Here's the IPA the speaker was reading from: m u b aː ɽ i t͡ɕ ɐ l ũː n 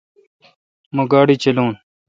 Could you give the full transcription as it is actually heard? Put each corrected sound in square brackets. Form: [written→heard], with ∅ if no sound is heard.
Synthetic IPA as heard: m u [b→ɡ] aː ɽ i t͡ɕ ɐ l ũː n

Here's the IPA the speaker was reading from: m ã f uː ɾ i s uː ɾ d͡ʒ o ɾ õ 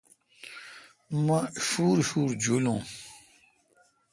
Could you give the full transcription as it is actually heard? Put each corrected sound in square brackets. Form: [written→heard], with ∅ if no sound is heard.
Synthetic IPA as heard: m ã f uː ɾ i [s→f] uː ɾ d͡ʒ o [ɾ→l] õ

